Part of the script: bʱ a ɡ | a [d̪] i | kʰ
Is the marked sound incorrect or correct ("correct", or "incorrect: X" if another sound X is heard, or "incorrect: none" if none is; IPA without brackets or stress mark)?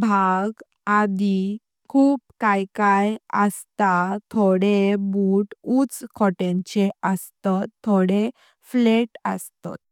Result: correct